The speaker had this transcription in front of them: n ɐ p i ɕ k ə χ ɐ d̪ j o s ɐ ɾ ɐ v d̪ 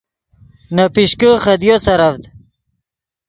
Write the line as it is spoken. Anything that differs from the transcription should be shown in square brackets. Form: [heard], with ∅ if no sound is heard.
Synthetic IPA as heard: n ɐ p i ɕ k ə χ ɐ d̪ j o s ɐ ɾ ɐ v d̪